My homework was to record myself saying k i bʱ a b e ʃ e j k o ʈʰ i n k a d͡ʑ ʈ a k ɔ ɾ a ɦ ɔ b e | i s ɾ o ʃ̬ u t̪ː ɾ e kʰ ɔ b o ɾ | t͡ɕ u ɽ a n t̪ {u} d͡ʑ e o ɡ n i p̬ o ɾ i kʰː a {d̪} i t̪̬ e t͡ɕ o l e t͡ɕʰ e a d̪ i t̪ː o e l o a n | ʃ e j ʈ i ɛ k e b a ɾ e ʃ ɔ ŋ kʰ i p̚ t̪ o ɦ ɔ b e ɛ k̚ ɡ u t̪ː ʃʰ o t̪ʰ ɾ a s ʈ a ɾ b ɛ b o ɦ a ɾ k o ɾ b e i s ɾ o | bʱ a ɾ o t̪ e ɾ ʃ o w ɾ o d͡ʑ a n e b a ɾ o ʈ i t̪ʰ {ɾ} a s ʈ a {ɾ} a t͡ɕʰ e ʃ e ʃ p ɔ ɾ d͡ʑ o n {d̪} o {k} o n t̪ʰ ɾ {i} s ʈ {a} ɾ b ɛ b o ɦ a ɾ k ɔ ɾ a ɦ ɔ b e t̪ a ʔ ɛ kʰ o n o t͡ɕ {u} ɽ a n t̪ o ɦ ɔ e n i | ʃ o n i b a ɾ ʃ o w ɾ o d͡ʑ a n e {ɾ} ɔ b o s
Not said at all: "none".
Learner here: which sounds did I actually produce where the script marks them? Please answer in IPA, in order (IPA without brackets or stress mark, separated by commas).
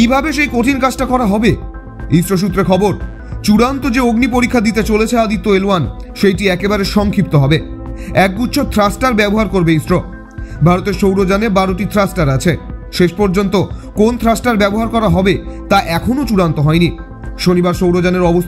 o, d̪, ɾ, ɾ, t̪, k, a, a, u, ɾ